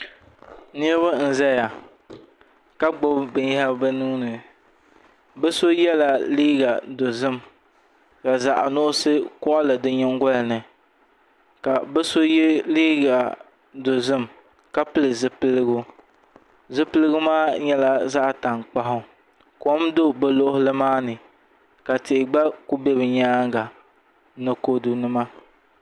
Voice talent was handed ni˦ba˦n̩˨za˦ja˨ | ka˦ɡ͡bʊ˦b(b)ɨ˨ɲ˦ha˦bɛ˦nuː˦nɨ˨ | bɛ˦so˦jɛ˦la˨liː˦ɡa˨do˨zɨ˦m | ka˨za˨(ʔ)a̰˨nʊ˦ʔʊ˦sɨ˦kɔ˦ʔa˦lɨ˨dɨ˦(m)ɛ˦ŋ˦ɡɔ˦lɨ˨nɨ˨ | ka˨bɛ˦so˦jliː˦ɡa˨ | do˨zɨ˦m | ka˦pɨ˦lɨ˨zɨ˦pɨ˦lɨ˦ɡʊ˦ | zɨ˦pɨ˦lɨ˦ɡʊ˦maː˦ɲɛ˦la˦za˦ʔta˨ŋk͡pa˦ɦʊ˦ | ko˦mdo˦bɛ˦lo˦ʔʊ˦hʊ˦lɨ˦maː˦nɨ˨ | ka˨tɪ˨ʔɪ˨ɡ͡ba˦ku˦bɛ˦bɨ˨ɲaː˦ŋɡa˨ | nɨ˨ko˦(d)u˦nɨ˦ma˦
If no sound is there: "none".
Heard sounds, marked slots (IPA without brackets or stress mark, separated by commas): b, ʔ, ɲ, d